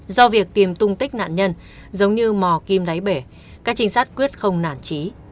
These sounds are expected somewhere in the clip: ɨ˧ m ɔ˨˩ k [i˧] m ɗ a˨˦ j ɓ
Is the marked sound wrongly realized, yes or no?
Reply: no